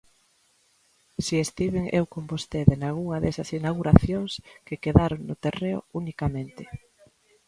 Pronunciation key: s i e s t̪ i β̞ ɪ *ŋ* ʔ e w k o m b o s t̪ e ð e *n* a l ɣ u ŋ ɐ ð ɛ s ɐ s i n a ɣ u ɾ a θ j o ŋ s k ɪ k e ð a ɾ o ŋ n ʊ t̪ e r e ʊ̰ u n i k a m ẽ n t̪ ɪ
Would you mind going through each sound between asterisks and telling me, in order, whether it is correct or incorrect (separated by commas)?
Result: correct, correct